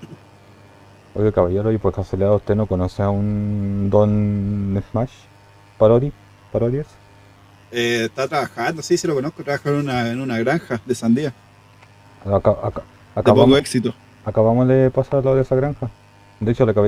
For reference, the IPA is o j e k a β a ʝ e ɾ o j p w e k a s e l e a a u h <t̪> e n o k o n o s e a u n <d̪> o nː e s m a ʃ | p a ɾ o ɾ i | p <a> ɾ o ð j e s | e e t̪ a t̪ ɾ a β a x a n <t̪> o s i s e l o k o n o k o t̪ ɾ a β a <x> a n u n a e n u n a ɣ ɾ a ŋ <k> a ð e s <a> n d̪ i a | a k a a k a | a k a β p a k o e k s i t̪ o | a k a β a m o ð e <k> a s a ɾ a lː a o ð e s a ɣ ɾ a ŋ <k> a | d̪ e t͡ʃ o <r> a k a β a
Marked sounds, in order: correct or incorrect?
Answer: correct, correct, correct, incorrect: d̪, correct, incorrect: x, correct, incorrect: p, incorrect: x, incorrect: l

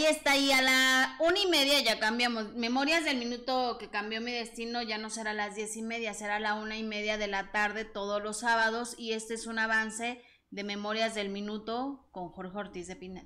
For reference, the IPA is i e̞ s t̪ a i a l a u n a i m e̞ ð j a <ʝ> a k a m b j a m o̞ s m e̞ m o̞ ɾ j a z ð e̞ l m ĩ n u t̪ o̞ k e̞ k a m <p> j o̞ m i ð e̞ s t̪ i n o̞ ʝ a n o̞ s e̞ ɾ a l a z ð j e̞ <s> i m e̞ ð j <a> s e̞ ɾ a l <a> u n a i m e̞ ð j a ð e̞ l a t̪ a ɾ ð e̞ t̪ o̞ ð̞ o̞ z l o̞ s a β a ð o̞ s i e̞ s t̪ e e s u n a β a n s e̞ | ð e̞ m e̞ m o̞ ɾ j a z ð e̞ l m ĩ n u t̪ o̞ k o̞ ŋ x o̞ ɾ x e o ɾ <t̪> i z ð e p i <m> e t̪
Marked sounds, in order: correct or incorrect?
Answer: correct, incorrect: b, correct, correct, correct, correct, incorrect: n

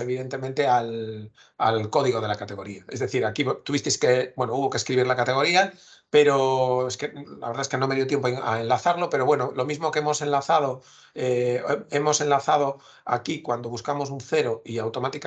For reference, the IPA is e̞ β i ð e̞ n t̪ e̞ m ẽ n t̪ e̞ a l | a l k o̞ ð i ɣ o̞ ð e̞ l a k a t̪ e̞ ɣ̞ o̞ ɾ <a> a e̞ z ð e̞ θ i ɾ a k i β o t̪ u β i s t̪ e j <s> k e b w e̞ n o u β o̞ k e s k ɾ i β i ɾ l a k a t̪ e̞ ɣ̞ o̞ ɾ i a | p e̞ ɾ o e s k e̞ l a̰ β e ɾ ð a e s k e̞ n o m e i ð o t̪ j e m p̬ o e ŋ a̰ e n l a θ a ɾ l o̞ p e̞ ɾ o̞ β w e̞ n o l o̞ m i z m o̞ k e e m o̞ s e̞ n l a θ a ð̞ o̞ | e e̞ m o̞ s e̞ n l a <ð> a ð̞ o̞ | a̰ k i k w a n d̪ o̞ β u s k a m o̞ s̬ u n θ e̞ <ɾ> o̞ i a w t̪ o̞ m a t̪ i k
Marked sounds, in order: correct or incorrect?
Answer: incorrect: i, correct, incorrect: θ, correct

